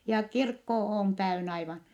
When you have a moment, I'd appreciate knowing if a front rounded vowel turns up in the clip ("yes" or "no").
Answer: yes